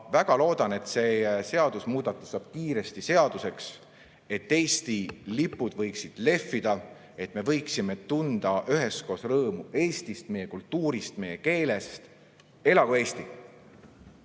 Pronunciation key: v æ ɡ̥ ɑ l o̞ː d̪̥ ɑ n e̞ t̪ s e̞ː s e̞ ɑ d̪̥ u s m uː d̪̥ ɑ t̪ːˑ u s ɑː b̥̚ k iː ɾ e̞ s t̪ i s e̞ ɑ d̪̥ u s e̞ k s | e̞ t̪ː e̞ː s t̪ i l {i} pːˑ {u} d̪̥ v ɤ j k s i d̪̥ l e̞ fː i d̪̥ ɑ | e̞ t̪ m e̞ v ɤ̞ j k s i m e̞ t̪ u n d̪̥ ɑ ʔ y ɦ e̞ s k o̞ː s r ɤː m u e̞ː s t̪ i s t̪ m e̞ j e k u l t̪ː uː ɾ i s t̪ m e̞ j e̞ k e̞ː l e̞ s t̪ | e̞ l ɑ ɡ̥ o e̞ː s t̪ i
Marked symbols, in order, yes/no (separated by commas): yes, yes